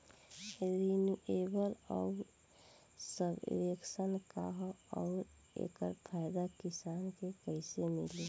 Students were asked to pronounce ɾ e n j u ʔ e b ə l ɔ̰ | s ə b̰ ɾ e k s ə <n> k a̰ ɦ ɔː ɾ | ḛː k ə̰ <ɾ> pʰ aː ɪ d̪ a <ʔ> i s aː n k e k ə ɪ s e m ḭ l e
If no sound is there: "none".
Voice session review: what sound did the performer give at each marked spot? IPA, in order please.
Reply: n, ɾ, k

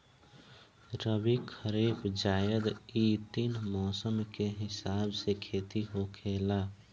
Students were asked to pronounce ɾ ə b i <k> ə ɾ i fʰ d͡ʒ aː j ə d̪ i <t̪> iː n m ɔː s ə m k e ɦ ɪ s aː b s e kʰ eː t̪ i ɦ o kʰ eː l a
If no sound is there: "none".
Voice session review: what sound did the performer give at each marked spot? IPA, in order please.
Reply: kʰ, t̪

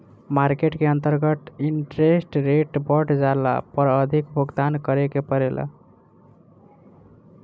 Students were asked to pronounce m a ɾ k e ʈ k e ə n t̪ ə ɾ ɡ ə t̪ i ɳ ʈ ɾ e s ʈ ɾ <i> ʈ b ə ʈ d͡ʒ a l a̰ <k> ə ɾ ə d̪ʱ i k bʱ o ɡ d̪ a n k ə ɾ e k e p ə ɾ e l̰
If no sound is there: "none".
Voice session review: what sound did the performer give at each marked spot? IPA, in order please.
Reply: e, p

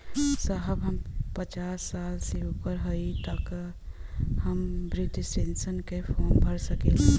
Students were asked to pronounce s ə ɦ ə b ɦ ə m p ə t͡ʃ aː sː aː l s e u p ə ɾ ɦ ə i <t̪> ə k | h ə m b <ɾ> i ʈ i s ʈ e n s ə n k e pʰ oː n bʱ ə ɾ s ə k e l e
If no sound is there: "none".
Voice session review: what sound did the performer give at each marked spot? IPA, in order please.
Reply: t̪, ɾ

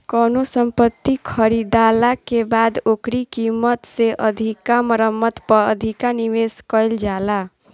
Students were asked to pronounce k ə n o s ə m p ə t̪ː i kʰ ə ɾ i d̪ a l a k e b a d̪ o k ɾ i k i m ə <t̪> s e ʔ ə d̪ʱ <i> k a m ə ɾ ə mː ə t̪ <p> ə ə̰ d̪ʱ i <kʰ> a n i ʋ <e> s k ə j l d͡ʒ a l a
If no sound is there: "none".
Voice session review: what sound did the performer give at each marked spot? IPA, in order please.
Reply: t̪, i, p, k, e

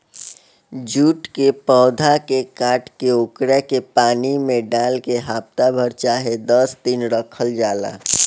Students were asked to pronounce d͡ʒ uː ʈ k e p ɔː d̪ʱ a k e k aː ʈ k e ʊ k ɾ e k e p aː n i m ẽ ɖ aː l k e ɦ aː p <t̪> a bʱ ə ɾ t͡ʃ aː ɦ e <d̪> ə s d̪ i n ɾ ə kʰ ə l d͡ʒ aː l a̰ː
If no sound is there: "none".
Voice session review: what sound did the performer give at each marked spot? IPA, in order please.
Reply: t̪, d̪

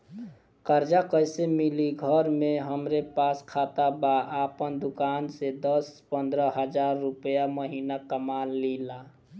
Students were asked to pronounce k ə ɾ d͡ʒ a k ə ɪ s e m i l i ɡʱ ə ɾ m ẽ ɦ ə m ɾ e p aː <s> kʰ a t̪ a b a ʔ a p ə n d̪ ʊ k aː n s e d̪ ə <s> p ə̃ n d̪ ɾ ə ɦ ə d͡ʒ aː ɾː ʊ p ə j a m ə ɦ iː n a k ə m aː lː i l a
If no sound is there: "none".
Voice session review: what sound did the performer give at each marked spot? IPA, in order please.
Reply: s, s

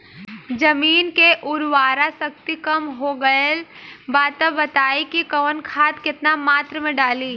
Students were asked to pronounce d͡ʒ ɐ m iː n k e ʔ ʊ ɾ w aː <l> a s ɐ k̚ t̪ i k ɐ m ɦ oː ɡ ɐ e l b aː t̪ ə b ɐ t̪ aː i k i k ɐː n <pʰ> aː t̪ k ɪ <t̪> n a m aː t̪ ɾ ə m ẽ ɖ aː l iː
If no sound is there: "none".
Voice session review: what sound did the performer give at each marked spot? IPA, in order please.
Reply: ɾ, kʰ, t̪

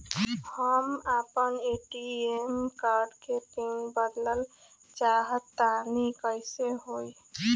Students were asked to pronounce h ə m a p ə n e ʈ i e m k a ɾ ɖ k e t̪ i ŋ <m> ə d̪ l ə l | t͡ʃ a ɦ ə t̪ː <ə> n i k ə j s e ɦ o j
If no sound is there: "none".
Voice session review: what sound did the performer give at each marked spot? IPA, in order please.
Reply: b, a

